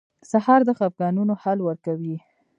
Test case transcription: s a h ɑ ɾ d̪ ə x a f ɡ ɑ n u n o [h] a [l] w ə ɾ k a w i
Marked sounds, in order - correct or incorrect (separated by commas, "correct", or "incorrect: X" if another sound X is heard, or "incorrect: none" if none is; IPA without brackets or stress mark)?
correct, correct